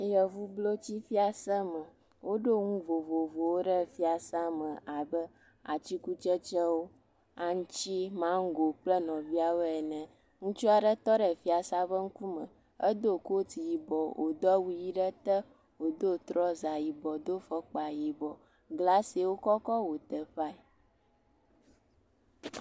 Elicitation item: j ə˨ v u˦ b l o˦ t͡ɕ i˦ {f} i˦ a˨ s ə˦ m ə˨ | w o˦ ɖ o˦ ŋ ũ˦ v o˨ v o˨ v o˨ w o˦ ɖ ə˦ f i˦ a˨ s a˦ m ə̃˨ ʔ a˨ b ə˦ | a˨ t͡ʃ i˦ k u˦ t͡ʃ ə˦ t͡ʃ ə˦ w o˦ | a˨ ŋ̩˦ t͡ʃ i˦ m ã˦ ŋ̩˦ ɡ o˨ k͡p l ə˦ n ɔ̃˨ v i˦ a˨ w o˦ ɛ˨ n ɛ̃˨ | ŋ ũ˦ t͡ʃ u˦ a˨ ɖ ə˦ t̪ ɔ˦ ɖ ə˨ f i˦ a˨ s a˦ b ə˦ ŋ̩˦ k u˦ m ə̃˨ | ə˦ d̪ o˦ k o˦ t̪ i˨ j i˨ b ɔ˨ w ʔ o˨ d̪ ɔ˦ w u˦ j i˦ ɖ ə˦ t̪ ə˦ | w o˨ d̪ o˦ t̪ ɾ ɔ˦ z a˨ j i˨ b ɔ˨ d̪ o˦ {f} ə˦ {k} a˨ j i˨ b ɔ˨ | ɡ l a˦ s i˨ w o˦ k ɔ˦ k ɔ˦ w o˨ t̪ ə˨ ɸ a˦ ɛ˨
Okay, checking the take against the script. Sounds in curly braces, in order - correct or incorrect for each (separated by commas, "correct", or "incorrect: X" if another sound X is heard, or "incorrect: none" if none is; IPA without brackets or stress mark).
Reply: correct, correct, incorrect: k͡p